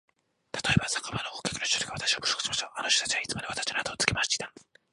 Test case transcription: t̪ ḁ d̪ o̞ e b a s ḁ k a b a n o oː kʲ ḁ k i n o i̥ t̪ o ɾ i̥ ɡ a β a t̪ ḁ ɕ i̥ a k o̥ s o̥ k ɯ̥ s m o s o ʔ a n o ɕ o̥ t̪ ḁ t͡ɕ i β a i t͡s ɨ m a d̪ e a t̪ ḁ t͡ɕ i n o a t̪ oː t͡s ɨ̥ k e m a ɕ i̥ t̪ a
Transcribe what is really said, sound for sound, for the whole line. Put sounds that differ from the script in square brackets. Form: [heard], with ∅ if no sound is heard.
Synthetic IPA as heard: t̪ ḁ [t̪] o̞ e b a s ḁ k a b a n o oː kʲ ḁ k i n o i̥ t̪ o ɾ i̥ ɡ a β a t̪ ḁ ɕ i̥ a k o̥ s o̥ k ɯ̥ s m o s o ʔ a n o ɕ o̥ t̪ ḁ t͡ɕ i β a i t͡s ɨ m a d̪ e a t̪ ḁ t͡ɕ i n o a t̪ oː t͡s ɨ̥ k e m a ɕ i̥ t̪ a